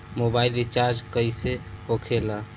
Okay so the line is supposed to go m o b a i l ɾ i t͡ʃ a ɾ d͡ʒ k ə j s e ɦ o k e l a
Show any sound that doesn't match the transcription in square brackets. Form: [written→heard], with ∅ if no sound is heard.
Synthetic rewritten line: m o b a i l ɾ i t͡ʃ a ɾ d͡ʒ k ə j s e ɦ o [k→kʰ] e l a